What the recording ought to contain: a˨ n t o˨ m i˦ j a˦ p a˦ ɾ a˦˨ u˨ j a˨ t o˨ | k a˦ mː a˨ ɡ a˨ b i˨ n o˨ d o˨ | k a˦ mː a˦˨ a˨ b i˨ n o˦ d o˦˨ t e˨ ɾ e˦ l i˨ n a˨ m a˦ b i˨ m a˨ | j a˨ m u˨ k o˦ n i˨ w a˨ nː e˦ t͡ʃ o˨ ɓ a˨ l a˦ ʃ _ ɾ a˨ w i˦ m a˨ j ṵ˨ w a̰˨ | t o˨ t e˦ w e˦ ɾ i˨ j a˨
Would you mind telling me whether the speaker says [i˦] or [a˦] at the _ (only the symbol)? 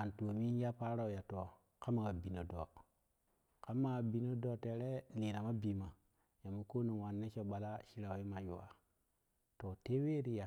i˦